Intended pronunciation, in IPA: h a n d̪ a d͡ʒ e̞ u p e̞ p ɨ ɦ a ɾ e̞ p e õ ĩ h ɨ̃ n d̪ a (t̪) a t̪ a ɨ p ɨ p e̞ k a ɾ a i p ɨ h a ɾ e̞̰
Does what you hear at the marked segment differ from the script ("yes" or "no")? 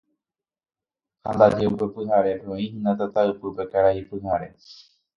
no